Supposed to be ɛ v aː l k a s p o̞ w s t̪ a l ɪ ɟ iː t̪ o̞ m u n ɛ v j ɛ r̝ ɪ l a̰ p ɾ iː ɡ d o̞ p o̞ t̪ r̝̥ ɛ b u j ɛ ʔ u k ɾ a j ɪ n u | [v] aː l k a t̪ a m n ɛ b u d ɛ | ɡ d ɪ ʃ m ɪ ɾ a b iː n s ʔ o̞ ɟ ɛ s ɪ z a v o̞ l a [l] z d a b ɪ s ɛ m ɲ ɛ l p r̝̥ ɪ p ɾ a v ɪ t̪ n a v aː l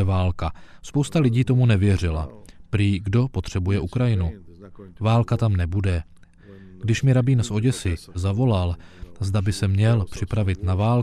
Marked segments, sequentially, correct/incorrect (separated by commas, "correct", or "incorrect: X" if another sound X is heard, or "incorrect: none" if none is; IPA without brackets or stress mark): correct, correct